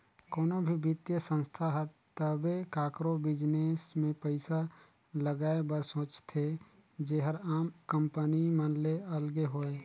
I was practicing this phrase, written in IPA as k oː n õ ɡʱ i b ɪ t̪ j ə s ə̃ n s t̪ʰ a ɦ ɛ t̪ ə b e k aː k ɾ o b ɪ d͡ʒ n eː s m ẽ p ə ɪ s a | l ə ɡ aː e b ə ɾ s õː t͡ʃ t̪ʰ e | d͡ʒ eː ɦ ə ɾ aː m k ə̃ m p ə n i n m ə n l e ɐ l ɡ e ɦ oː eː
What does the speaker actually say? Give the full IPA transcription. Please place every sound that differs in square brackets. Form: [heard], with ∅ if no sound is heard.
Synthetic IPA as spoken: k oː n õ [bʱ] i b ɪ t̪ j ə s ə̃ n s t̪ʰ a ɦ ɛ t̪ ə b e k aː k ɾ o b ɪ d͡ʒ n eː s m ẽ p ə ɪ s a | l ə ɡ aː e b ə ɾ s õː t͡ʃ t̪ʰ e | d͡ʒ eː ɦ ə ɾ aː m k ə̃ m p ə n i [∅] m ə n l e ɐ l ɡ e ɦ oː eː